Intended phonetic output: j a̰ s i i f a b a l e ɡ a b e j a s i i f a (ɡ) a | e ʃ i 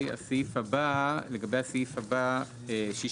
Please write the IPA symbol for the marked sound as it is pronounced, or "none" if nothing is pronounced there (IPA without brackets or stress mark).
b